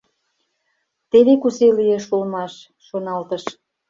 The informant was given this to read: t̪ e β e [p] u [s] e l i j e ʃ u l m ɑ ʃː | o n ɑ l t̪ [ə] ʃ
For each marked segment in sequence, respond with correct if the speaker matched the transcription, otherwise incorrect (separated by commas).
incorrect, correct, correct